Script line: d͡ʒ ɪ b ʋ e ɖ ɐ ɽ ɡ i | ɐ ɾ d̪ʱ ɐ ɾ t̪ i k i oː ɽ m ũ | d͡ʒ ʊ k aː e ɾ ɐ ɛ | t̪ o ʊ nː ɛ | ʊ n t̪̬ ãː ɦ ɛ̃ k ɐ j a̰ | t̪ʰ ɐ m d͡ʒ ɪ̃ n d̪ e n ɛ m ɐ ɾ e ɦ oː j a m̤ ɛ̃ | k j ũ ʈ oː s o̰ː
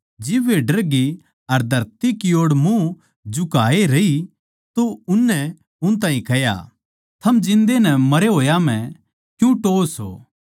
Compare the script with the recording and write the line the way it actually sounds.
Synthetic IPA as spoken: d͡ʒ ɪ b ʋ e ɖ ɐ ɾ ɡ i | ɐ ɾ d̪ʱ ɐ ɾ t̪ i k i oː ɽ m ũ | d͡ʒ ʊ k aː e ɾ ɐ i | t̪ o ʊ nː ɛ | ʊ n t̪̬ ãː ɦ ĩ k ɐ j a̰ | t̪ʰ ɐ m d͡ʒ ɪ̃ n d̪ e n ɛ m ɐ ɾ e ɦ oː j a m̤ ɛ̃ | k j ũ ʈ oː s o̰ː

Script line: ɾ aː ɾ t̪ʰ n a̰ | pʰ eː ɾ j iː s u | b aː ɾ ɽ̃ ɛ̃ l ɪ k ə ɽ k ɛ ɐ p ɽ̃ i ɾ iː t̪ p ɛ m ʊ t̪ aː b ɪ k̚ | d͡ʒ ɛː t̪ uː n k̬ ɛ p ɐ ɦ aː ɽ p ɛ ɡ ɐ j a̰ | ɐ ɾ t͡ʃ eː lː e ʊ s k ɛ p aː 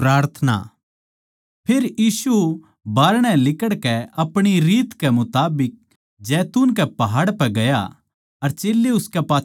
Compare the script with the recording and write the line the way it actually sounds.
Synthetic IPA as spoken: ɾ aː ɾ t̪ʰ n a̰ | pʰ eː ɾ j iː s u | b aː ɾ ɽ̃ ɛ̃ l ɪ k ə ɽ k ɛ ɐ p ɽ̃ i ɾ iː t̪ k ɛ m ʊ t̪ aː b ɪ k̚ | d͡ʒ ɛː t̪ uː n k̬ ɛ p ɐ ɦ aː ɽ p ɛ ɡ ɐ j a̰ | ɐ ɾ t͡ʃ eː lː e ʊ s k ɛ p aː

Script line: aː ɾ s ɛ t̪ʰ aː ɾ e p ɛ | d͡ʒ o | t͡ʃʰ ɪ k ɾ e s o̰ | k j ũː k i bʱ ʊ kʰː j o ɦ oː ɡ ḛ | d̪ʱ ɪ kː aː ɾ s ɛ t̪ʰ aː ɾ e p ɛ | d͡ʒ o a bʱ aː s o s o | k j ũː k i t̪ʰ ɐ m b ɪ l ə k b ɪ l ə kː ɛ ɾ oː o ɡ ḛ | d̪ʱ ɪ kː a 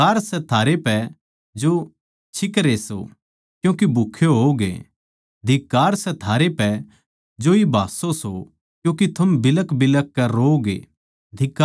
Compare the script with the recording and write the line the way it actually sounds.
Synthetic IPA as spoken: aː ɾ s ɛ t̪ʰ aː ɾ e p ɛ | d͡ʒ o | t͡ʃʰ ɪ k ɾ e s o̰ | k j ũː k i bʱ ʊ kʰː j o ɦ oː ɡ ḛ | d̪ʱ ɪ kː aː ɾ s ɛ t̪ʰ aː ɾ e p ɛ | d͡ʒ o i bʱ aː s o s o | k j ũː k i t̪ʰ ɐ m b ɪ l ə k b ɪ l ə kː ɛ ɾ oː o ɡ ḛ | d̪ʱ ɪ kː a

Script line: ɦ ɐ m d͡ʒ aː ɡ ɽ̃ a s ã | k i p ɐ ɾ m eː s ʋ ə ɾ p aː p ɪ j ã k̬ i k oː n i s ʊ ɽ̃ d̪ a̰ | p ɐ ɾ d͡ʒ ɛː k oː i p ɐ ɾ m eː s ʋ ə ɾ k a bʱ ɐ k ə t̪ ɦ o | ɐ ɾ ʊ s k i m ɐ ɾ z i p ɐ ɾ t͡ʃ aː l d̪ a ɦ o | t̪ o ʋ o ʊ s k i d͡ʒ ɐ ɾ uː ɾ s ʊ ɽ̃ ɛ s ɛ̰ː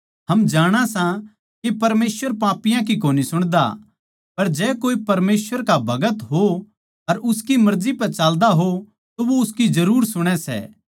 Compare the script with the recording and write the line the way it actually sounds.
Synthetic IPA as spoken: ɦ ɐ m d͡ʒ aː ɽ̃ a s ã | k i p ɐ ɾ m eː s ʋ ə ɾ p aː p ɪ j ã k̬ i k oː n i s ʊ ɽ̃ d̪ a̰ | p ɐ ɾ d͡ʒ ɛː k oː i p ɐ ɾ m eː s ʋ ə ɾ k a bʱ ɐ ɡ ə t̪ ɦ o | ɐ ɾ ʊ s k i m ɐ ɾ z i p ɐ ɾ t͡ʃ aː l d̪ a ɦ o | t̪ o ʋ o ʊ s k i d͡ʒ ɐ ɾ uː ɾ s ʊ ɽ̃ ɛ s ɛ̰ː

